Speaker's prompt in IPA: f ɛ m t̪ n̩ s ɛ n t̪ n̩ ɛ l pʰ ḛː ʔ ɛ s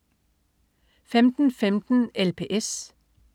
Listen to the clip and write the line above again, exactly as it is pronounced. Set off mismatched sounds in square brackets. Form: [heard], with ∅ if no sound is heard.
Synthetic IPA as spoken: f ɛ m t̪ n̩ [f] ɛ [m] t̪ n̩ ɛ l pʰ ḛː ʔ ɛ s